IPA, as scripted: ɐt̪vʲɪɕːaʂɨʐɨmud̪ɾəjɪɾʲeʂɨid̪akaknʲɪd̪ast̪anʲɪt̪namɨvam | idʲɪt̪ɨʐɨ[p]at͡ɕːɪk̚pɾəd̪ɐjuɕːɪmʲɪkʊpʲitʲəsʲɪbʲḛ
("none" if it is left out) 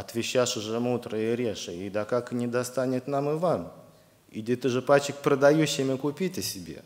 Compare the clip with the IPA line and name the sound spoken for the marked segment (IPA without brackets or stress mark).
p